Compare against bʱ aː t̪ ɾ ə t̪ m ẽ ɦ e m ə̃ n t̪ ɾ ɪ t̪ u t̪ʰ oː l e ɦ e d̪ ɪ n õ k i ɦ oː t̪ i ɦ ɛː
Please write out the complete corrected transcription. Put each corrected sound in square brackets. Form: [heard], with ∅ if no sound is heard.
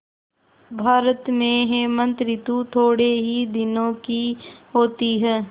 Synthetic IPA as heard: bʱ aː [∅] ɾ ə t̪ m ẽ ɦ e m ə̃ n t̪ ɾ ɪ t̪ u t̪ʰ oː [ɽ] e ɦ [i] d̪ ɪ n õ k i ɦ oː t̪ i ɦ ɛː